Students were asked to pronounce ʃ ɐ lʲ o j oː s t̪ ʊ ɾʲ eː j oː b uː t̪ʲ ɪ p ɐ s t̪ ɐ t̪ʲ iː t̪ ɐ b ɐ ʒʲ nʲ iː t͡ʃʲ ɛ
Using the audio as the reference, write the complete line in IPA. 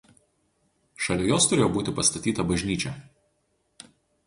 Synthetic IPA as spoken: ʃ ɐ lʲ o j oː s t̪ ʊ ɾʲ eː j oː b uː t̪ʲ ɪ p ɐ s t̪ ɐ t̪ʲ iː t̪ ɐ b ɐ ʒʲ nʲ iː t͡ʃʲ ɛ

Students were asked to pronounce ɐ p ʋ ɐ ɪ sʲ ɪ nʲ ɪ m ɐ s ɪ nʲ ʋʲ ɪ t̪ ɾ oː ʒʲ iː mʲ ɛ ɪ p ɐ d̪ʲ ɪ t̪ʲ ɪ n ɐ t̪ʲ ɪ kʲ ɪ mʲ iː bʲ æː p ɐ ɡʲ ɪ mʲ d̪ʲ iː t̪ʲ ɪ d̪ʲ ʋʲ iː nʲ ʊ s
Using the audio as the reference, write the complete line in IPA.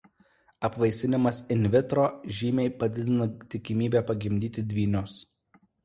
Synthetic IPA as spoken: ɐ p ʋ ɐ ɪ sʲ ɪ nʲ ɪ m ɐ s ɪ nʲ ʋʲ ɪ t̪ ɾ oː ʒʲ iː mʲ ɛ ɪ p ɐ d̪ʲ ɪ d̪ʲ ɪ n ɐ t̪ʲ ɪ kʲ ɪ mʲ iː bʲ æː p ɐ ɡʲ ɪ mʲ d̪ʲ iː t̪ʲ ɪ d̪ʲ ʋʲ iː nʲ ʊ s

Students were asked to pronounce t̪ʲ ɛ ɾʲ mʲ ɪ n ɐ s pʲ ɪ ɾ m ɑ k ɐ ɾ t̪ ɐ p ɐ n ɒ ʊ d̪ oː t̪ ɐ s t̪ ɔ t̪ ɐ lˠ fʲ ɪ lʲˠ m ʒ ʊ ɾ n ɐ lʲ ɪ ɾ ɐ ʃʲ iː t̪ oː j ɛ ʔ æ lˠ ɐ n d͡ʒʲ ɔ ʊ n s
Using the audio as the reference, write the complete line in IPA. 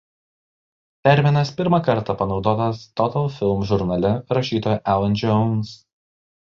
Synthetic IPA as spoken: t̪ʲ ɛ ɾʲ mʲ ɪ n ɐ s pʲ ɪ ɾ m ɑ k ɐ ɾ t̪ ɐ p ɐ n ɒ ʊ d̪ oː t̪ ɐ s t̪ ɔ t̪ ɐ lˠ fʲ ɪ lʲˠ m ʒ ʊ ɾ n ɐ lʲ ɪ ɾ ɐ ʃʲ iː t̪ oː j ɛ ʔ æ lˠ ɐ n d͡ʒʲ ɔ ʊ n s

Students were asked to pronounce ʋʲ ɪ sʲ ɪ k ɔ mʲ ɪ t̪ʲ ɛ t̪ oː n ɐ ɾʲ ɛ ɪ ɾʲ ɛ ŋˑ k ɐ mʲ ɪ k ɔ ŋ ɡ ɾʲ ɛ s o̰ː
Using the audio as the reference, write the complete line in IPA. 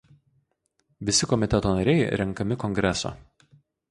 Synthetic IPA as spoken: ʋʲ ɪ sʲ ɪ k ɔ mʲ ɪ t̪ʲ ɛ t̪ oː n ɐ ɾʲ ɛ ɪ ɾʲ ɛ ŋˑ k ɐ mʲ ɪ k ɔ ŋ ɡ ɾʲ ɛ s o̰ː

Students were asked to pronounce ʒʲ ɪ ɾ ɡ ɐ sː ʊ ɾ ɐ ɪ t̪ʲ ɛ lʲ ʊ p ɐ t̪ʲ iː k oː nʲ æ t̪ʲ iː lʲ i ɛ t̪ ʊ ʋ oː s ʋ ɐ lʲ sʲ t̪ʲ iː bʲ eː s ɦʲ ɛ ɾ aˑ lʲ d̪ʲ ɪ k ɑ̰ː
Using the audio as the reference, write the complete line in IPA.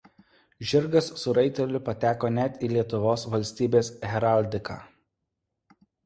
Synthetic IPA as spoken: ʒʲ ɪ ɾ ɡ ɐ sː ʊ ɾ ɐ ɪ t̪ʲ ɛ lʲ ʊ p ɐ t̪ʲ æː k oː nʲ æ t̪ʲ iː lʲ i ɛ t̪ ʊ ʋ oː s ʋ ɐ lʲ sʲ t̪ʲ iː bʲ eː s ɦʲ ɛ ɾ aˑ lʲ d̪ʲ ɪ k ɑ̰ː

